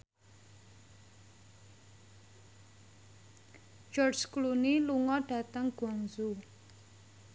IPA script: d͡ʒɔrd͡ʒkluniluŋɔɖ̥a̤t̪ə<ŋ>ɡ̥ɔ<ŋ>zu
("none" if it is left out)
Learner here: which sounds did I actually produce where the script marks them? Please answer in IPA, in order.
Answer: ŋ, ŋ

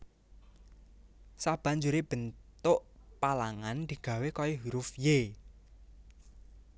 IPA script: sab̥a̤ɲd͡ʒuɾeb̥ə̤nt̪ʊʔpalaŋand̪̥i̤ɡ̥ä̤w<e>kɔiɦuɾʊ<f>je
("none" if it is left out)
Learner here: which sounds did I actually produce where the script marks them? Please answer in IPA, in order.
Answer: e, f

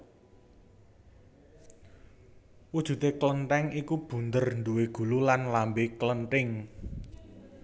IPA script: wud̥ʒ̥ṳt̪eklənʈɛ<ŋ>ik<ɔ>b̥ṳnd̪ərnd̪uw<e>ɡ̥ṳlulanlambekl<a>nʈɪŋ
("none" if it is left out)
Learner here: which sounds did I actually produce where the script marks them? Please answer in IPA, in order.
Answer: ŋ, u, e, ə

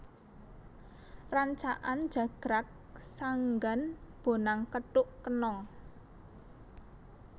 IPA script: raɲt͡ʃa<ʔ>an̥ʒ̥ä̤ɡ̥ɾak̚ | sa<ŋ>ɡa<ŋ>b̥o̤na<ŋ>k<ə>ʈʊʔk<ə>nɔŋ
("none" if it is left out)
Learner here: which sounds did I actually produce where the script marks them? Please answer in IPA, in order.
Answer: ʔ, ŋ, n, ŋ, ə, ə

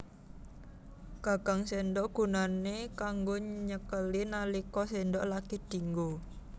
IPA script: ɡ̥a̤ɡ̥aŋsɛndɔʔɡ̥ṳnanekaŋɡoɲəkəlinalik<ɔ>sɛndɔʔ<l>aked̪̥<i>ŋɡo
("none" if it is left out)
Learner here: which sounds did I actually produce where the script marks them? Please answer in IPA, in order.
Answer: ɔ, l, i

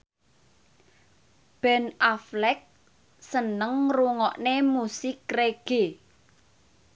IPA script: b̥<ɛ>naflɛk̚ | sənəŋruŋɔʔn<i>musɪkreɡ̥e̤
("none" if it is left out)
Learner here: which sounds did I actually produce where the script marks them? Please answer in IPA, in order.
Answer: ɛ, e

